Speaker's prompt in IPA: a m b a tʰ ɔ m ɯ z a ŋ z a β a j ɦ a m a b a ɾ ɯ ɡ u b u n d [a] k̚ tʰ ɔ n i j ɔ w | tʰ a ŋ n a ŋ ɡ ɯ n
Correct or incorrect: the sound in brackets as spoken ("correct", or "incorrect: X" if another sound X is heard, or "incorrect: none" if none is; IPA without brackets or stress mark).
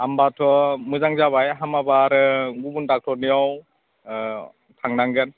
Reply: correct